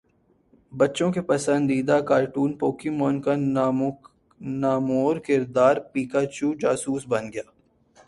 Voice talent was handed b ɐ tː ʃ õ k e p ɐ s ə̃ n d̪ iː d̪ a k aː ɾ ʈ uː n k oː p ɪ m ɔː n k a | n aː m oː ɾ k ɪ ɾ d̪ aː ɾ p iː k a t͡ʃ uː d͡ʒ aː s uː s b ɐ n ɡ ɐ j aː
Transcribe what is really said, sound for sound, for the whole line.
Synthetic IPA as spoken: b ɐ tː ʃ õ k e p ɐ s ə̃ n d̪ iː d̪ a k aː ɾ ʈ uː n p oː k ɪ m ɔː n k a | n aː m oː ɾ k ɪ ɾ d̪ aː ɾ p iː k a t͡ʃ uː d͡ʒ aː s uː s b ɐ n ɡ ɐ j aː